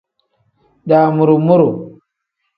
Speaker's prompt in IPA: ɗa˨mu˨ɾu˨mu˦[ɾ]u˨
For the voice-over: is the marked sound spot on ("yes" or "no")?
yes